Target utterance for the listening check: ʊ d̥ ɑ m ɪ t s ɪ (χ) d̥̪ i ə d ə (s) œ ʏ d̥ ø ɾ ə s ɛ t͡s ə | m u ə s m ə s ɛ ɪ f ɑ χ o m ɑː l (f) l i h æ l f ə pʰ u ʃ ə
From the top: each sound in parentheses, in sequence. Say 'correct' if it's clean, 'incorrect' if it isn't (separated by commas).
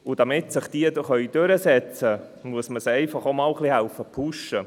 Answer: correct, incorrect, incorrect